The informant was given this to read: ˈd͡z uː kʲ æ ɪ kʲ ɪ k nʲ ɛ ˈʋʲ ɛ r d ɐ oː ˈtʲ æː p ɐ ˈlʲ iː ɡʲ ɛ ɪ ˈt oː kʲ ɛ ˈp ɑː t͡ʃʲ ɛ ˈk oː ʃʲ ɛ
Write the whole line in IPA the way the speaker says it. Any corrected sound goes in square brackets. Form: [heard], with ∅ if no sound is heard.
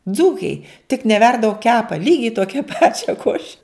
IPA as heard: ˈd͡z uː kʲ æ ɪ [tʲ] ɪ k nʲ ɛ ˈʋʲ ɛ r d ɐ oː [ˈkʲ] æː p ɐ ˈlʲ iː ɡʲ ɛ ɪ ˈt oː kʲ ɛ ˈp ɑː t͡ʃʲ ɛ ˈk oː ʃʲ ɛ